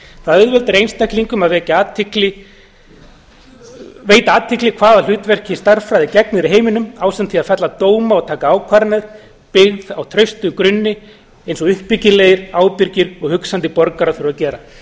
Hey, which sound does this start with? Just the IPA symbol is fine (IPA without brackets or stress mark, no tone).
θ